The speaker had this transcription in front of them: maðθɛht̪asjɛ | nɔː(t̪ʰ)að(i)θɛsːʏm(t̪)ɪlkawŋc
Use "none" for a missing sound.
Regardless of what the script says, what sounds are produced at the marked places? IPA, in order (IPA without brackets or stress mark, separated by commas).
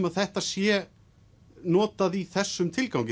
t̪, i, t̪ʰ